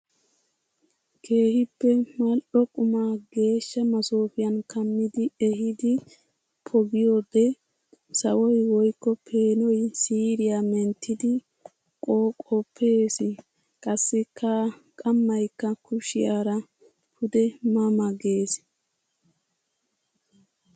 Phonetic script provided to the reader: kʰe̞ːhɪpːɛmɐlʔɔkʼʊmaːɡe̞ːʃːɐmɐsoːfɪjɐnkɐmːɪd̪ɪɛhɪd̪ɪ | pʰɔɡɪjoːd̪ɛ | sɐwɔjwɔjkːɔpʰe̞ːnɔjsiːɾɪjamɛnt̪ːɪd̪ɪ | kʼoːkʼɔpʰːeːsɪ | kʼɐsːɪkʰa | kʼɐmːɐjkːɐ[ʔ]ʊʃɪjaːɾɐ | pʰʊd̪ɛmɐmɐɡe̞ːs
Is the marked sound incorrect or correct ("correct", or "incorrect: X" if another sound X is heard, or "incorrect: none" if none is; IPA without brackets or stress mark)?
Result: incorrect: k